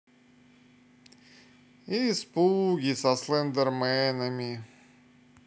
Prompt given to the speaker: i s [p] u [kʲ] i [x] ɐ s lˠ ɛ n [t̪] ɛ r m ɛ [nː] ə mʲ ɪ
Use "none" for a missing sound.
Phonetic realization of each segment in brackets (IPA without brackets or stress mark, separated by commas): p, ɡʲ, s, d̪, n